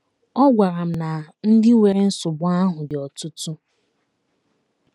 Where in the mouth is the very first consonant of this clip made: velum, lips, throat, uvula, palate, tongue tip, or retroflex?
velum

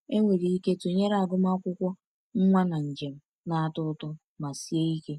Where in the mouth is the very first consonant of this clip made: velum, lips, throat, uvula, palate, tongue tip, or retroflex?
velum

